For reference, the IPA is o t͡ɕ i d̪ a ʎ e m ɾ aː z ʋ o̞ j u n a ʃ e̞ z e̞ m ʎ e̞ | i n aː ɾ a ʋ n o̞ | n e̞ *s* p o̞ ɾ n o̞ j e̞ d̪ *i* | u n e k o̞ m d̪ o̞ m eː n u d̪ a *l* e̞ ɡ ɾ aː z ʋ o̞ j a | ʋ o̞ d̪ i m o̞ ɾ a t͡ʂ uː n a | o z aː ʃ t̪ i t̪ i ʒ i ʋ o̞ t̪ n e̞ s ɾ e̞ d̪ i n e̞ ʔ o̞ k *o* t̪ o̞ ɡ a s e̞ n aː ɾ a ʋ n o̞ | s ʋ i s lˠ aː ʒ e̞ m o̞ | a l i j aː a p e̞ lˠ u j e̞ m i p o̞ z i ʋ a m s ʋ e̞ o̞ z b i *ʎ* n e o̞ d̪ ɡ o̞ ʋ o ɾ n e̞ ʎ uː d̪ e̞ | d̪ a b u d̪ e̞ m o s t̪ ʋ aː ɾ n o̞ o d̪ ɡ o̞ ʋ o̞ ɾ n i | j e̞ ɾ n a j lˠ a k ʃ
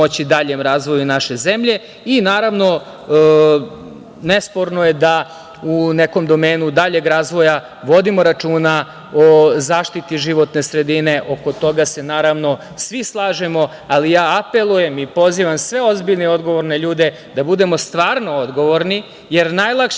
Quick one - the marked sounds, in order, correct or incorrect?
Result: correct, incorrect: a, incorrect: ʎ, correct, correct

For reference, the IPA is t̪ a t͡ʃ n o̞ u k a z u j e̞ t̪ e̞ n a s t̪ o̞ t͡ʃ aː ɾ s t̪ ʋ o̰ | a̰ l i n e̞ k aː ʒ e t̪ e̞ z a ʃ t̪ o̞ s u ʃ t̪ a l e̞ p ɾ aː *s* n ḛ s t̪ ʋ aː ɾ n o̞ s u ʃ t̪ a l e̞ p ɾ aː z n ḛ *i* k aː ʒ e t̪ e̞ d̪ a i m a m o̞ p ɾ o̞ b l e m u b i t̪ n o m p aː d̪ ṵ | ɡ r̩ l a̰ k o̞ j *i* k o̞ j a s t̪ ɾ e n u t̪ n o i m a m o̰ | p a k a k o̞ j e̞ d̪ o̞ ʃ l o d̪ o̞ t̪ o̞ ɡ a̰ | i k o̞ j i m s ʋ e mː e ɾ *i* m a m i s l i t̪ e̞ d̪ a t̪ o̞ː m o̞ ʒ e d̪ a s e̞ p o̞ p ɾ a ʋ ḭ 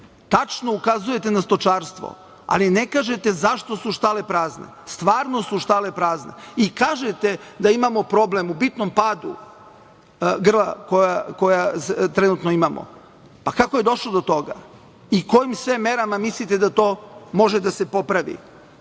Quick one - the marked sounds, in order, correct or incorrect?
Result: incorrect: z, correct, incorrect: a, incorrect: a

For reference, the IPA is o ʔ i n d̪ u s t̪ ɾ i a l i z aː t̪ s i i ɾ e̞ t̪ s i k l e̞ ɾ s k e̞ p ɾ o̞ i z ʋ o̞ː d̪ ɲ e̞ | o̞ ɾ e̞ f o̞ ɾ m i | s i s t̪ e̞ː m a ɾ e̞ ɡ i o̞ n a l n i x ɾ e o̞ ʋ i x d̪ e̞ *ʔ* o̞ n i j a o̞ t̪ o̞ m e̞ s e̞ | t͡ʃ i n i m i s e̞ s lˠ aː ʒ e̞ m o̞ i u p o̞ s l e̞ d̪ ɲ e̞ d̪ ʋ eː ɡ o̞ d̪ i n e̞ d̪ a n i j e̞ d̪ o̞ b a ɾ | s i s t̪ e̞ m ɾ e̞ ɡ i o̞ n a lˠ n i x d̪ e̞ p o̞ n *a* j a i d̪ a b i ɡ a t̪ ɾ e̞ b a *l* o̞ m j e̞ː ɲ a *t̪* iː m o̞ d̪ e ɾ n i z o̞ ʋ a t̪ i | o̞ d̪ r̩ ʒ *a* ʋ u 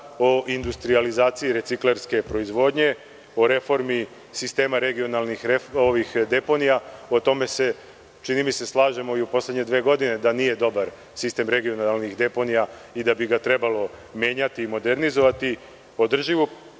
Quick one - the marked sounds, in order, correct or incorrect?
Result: incorrect: p, incorrect: i, correct, correct, incorrect: i

